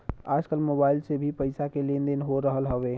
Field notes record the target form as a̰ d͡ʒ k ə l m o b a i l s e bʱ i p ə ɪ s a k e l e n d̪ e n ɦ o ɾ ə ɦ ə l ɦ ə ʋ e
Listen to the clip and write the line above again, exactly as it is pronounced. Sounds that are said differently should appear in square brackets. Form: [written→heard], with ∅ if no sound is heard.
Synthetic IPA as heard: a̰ d͡ʒ k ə l m o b a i l s e bʱ i p ə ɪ s a k e l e n d̪ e n ɦ o ɾ ə ɦ ə l ɦ ə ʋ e